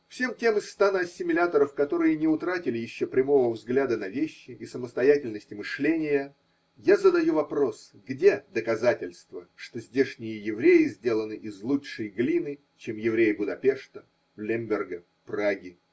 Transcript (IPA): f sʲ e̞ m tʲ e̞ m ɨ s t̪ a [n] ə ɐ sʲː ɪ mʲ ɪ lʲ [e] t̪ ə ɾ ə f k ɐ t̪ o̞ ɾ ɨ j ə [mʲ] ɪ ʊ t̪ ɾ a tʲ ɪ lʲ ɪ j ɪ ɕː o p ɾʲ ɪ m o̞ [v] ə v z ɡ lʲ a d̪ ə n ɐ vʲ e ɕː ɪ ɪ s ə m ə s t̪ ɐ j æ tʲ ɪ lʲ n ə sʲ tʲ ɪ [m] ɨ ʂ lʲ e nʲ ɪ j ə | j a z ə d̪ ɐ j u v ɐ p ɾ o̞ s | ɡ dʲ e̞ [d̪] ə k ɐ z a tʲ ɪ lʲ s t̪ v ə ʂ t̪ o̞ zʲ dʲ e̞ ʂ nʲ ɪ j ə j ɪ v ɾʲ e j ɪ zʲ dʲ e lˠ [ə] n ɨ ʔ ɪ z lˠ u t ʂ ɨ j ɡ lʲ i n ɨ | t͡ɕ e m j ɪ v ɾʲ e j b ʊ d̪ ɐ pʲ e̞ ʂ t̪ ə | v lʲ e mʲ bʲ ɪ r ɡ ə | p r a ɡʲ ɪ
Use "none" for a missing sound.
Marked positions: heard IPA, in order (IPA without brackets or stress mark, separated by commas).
n, a, nʲ, v, m, d̪, ə